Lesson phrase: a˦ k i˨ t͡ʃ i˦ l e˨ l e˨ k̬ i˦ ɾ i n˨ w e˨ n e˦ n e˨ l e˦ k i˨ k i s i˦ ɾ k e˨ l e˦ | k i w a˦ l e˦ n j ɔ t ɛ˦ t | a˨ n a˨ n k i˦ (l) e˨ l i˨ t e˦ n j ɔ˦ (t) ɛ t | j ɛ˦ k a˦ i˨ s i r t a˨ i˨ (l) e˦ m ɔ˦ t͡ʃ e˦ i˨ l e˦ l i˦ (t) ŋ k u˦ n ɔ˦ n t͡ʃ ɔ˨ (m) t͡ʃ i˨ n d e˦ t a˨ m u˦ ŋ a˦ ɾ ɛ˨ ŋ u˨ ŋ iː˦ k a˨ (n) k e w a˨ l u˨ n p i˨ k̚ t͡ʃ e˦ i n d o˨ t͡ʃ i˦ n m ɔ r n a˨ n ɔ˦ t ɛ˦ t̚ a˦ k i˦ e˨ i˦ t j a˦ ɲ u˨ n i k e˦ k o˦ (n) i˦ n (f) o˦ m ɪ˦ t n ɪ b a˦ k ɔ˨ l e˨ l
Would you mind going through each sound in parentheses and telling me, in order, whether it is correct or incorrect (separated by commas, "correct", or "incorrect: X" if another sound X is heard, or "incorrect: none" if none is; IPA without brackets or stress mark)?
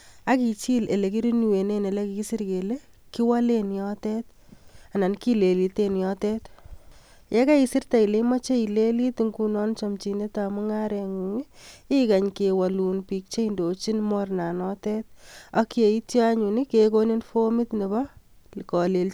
correct, correct, correct, correct, correct, incorrect: ɲ, correct, correct